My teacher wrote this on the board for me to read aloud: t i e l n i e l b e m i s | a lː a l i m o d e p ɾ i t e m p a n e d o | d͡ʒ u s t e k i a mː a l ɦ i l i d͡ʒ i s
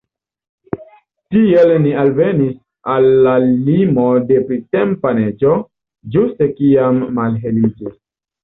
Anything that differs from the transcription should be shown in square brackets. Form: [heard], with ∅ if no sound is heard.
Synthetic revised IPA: t i e l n i [a] l [v] e [n] i s | a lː a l i m o d e p ɾ i t e m p a n e [d͡ʒ] o | d͡ʒ u s t e k i a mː a l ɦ [e] l i d͡ʒ i s